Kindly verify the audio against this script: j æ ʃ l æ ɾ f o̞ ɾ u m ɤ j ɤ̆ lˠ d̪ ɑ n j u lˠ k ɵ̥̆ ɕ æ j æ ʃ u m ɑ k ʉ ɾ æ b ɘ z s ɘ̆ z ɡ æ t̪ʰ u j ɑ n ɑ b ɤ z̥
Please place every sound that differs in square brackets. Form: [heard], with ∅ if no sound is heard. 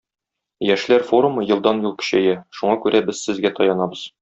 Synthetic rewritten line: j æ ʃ l æ ɾ f o̞ ɾ u m ɤ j ɤ̆ lˠ d̪ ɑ n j u lˠ k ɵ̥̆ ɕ æ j æ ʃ u [ɴ] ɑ k ʉ ɾ æ b ɘ z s ɘ̆ z ɡ æ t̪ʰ [ɒ] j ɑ n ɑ b ɤ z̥